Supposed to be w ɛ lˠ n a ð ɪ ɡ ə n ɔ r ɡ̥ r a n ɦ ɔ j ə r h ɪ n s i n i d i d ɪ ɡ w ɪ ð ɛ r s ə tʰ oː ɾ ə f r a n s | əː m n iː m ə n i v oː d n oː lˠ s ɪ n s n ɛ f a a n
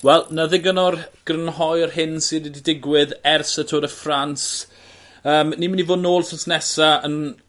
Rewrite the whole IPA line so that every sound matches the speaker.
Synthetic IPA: w ɛ lˠ n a ð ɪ ɡ ə n ɔ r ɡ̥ r ə n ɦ ɔ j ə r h ɪ n s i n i d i d ɪ ɡ w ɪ ð ɛ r s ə tʰ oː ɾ ə f r a n s | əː m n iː m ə n i v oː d n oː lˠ s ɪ n s n ɛ s a ə n